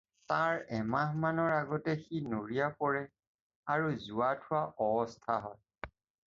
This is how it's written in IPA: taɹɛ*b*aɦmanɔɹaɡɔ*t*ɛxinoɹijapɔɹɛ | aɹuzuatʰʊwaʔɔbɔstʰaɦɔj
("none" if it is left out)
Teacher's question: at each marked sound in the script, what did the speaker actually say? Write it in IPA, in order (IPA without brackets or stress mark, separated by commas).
m, t